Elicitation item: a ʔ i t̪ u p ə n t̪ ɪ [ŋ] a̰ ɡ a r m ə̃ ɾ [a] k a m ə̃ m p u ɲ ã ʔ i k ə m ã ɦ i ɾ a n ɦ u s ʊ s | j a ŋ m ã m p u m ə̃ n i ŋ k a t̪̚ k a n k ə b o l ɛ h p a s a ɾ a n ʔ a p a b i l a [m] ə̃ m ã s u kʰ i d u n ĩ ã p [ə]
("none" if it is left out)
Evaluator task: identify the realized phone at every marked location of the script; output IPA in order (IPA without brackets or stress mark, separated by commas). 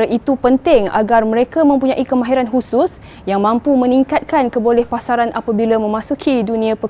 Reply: ŋ, e, m, ə